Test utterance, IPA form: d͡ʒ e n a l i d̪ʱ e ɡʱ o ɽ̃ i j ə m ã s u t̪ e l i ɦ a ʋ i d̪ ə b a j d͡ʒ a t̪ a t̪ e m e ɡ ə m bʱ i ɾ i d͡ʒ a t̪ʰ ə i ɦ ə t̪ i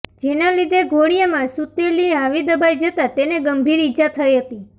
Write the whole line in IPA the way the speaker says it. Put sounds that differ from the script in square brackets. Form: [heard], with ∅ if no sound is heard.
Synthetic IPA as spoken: d͡ʒ e n a l i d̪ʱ e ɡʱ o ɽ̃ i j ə m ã s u t̪ e l i ɦ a ʋ i d̪ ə b a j d͡ʒ [ə] t̪ a t̪ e [n] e ɡ ə m bʱ i ɾ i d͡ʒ a t̪ʰ ə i ɦ ə t̪ i